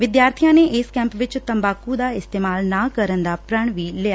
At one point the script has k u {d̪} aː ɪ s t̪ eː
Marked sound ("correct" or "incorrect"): correct